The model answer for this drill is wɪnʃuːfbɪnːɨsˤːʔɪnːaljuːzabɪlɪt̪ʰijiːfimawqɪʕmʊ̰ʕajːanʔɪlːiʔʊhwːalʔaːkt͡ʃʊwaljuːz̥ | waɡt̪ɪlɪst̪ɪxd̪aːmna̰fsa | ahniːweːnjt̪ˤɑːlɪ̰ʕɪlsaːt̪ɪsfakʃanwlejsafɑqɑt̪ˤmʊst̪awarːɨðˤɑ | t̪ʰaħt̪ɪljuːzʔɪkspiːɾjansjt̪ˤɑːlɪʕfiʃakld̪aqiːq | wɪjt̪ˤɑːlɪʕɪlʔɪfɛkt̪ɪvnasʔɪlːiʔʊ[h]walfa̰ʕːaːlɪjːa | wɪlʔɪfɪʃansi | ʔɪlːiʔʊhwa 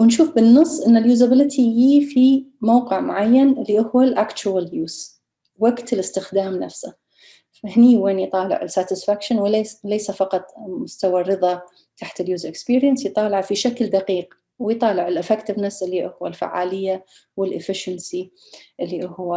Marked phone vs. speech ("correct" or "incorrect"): correct